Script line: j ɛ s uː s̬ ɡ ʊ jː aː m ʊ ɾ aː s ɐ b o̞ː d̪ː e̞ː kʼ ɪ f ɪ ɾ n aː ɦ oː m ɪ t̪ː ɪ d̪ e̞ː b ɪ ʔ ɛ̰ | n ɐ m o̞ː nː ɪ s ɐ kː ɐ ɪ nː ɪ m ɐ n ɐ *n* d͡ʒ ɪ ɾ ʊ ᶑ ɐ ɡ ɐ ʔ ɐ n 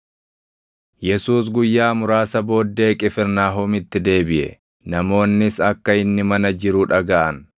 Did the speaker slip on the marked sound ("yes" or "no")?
yes